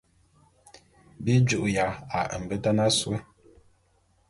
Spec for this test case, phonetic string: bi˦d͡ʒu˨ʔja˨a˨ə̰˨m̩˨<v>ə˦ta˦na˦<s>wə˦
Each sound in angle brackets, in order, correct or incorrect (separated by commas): incorrect, correct